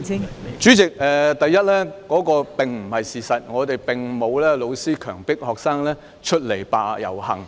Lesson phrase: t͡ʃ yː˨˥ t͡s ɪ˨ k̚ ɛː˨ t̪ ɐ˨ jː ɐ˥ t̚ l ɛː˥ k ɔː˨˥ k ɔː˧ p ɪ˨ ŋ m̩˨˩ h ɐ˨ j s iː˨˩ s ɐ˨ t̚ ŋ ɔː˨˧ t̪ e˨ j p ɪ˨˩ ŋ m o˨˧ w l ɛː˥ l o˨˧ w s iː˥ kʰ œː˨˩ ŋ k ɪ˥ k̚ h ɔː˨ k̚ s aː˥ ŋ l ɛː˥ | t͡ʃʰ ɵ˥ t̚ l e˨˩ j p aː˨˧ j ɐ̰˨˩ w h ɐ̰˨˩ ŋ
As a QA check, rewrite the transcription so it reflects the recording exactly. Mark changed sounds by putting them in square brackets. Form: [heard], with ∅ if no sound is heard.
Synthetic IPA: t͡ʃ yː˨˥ t͡s ɪ˨ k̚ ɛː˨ t̪ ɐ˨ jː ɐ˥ t̚ l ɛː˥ k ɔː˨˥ k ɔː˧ p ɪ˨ ŋ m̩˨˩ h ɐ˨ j s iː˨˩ s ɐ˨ t̚ ŋ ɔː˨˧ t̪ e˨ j p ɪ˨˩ ŋ m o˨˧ w l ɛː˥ l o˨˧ w s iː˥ kʰ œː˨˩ ŋ [p] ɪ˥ k̚ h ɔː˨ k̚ s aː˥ ŋ l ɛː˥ | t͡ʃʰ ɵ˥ t̚ l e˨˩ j p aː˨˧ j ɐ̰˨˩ w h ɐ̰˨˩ ŋ

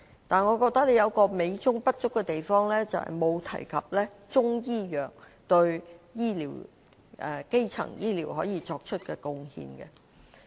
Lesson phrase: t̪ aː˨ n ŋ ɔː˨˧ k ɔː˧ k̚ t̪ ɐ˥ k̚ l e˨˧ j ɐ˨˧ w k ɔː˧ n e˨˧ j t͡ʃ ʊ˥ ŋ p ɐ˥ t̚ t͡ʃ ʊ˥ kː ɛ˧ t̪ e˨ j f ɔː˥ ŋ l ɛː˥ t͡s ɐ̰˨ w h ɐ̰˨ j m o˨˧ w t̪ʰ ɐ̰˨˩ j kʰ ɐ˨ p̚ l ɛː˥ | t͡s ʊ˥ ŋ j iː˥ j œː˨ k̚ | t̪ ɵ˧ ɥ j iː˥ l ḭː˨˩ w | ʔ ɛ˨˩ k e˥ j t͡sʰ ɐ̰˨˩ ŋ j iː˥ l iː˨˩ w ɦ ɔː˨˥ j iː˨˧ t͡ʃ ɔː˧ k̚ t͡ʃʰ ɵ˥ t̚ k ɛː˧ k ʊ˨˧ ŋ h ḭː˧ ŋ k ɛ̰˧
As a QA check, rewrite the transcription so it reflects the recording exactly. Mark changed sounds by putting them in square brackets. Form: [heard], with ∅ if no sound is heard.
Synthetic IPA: t̪ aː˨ n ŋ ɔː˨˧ k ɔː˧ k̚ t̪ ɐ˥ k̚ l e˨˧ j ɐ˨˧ w k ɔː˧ [m] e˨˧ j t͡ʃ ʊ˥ ŋ p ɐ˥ t̚ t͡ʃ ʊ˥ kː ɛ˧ t̪ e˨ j f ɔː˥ ŋ l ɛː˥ t͡s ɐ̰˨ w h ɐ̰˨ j m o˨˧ w t̪ʰ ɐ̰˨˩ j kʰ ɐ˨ p̚ l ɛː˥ | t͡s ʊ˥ ŋ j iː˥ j œː˨ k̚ | t̪ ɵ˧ ɥ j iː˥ l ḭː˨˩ w | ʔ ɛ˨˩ k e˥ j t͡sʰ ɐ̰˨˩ ŋ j iː˥ l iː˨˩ w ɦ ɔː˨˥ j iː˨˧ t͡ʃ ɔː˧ k̚ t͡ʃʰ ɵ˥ t̚ k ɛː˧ k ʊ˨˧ ŋ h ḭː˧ [n] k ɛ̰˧

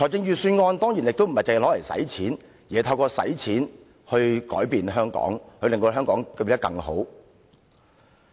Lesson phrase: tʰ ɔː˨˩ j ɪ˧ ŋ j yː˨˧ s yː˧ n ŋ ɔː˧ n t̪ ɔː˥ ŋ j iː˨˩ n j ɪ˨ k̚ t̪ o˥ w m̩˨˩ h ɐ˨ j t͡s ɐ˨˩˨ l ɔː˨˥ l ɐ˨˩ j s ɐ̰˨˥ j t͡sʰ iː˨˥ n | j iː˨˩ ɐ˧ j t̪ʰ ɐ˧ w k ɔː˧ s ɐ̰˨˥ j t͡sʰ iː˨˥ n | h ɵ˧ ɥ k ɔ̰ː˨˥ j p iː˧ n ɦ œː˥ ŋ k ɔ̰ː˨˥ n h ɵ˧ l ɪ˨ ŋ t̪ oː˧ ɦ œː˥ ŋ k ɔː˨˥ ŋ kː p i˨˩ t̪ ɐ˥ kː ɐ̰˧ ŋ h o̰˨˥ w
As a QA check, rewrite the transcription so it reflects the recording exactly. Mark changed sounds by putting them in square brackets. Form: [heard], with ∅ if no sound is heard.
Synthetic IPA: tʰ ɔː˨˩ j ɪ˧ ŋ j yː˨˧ s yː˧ n ŋ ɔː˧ n t̪ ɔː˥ ŋ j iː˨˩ n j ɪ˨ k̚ t̪ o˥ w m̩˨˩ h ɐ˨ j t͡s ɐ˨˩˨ l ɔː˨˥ l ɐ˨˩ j s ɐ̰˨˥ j t͡sʰ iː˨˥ n | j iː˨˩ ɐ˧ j t̪ʰ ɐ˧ w k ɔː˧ s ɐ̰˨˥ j t͡sʰ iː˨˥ n | h ɵ˧ ɥ k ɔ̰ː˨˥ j p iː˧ n ɦ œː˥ ŋ k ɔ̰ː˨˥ [ŋ] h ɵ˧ l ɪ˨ ŋ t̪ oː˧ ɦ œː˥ ŋ k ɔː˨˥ ŋ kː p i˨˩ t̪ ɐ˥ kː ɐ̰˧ ŋ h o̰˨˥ w

